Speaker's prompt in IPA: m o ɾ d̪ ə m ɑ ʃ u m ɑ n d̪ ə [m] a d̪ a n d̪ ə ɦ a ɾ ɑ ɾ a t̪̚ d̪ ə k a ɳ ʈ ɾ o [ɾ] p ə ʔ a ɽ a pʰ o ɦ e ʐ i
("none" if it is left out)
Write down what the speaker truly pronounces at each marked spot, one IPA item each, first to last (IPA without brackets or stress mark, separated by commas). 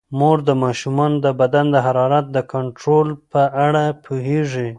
b, l